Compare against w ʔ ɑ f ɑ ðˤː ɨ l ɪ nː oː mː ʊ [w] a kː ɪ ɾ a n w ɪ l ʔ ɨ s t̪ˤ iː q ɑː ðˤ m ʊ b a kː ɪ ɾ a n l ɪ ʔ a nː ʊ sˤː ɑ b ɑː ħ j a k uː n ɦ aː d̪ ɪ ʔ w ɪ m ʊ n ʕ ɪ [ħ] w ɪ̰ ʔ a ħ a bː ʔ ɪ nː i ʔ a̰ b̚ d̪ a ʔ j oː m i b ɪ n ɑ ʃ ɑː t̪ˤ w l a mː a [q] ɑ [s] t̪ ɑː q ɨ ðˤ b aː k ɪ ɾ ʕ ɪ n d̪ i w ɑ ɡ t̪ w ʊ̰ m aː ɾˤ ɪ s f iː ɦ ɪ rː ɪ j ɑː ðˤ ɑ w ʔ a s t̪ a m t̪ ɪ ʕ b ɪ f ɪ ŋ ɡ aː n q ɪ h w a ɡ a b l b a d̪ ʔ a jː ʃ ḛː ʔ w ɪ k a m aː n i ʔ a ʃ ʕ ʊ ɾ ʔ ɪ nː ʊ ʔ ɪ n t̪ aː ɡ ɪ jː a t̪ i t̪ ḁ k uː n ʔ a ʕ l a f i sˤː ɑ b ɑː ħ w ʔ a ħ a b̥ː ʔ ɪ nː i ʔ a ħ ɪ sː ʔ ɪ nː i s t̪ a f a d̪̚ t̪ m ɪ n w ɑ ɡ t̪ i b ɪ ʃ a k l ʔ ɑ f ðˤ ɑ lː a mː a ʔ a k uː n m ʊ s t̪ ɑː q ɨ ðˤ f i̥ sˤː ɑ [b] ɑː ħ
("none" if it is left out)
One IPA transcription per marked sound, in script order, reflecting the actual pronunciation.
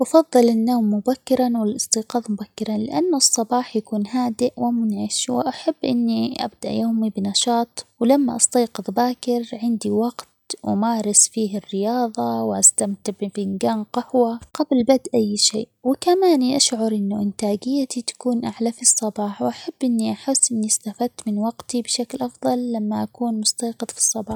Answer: b, ʃ, ʔ, s, b

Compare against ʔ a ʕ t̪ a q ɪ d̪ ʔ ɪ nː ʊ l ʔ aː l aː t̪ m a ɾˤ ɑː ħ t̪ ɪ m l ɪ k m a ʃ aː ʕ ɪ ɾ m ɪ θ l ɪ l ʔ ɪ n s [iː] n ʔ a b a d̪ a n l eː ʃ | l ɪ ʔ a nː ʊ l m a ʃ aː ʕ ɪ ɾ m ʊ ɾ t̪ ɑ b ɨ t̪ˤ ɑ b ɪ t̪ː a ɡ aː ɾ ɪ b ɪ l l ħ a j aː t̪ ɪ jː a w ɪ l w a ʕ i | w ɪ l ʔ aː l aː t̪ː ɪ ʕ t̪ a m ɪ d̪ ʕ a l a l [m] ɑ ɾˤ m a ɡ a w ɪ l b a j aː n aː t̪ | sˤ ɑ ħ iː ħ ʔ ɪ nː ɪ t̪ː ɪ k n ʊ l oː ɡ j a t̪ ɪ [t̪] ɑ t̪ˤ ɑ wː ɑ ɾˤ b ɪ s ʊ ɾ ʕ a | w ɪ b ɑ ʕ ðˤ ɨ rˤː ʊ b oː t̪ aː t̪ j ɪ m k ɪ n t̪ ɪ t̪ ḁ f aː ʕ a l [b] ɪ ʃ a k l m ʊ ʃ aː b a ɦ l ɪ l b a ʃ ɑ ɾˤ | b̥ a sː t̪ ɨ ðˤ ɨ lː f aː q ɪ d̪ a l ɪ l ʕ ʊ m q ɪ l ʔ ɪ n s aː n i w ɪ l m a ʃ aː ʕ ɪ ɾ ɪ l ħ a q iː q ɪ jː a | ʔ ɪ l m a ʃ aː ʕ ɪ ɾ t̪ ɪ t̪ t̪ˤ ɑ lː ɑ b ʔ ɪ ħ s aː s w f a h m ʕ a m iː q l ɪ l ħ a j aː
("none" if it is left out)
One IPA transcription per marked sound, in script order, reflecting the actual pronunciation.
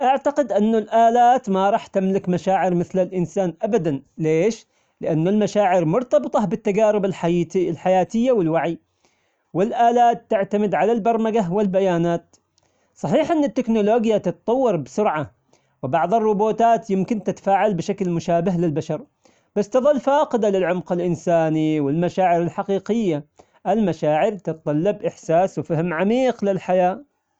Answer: aː, b, t̪, b

